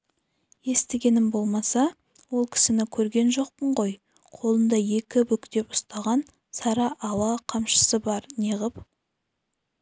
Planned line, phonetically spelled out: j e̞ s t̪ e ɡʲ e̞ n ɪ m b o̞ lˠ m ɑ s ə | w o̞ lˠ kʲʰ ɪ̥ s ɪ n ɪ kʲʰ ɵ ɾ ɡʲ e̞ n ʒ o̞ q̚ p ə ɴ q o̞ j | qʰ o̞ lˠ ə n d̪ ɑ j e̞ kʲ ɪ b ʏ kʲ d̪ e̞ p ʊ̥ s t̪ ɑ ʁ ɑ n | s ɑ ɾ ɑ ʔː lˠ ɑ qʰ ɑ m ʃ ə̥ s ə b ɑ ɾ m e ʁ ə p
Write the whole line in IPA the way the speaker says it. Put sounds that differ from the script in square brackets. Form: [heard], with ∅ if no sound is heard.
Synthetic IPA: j e̞ s t̪ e ɡʲ e̞ n ɪ m b o̞ lˠ m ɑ s [ɑ] | w o̞ lˠ kʲʰ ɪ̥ s ɪ n ɪ kʲʰ ɵ ɾ ɡʲ e̞ n ʒ o̞ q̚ p ə ɴ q o̞ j | qʰ o̞ lˠ ə n d̪ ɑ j e̞ kʲ ɪ b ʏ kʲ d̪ e̞ p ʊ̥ s t̪ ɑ ʁ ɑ n | s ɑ ɾ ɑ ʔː lˠ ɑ qʰ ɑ m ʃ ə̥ s ə b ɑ ɾ [n] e ʁ ə p